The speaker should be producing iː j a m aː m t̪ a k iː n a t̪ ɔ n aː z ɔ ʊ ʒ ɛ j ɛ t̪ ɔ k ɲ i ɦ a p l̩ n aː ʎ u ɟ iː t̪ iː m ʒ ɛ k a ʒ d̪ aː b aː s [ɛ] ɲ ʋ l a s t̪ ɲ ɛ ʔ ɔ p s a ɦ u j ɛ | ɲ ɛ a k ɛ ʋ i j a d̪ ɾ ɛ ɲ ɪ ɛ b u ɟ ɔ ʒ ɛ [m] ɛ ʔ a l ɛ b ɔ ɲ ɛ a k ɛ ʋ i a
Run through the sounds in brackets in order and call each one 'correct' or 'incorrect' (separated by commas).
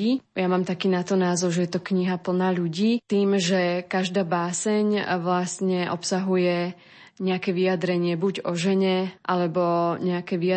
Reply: correct, incorrect